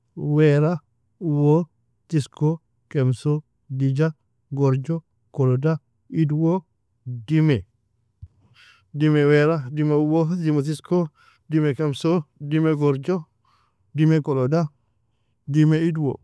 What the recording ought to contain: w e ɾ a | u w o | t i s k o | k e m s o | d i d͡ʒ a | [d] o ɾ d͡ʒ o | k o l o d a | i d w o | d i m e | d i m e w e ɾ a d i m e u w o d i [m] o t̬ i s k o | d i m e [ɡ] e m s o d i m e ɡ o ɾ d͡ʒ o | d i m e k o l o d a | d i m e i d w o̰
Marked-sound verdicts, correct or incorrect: incorrect, correct, incorrect

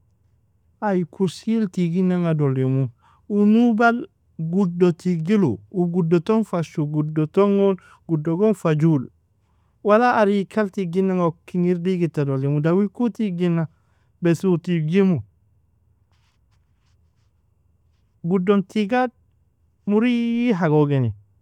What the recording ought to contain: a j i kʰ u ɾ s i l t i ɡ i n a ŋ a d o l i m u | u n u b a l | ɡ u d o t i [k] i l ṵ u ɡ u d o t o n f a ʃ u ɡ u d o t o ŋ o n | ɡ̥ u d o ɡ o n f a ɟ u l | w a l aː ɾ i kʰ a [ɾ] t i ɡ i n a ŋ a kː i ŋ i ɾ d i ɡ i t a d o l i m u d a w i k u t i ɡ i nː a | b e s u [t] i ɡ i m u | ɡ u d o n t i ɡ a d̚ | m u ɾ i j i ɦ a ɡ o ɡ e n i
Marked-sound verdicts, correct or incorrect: incorrect, incorrect, correct

